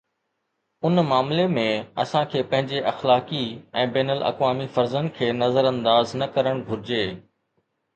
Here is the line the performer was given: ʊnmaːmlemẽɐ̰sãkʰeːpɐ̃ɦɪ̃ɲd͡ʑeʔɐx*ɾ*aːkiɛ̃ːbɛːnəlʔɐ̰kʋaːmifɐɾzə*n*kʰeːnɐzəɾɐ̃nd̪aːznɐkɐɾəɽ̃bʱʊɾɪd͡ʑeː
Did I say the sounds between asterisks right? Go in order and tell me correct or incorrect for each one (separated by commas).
incorrect, correct